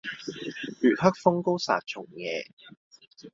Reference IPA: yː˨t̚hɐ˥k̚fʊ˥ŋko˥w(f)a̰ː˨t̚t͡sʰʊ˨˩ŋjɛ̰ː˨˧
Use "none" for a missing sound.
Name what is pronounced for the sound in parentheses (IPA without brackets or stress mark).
s